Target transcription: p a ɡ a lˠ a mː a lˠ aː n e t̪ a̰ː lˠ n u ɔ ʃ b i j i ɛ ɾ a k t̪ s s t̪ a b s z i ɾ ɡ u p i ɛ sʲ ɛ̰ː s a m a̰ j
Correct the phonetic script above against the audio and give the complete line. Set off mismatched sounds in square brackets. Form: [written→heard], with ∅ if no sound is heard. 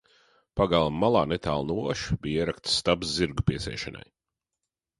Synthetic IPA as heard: p a ɡ a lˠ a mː a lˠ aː n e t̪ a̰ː lˠ n u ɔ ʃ b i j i ɛ ɾ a k t̪ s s t̪ a b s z i ɾ ɡ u p i ɛ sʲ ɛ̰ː [s→ʃ] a [m→n] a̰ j